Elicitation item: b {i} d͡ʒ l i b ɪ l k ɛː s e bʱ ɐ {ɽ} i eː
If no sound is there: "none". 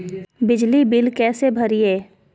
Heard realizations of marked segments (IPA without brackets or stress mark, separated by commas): ɪ, ɾ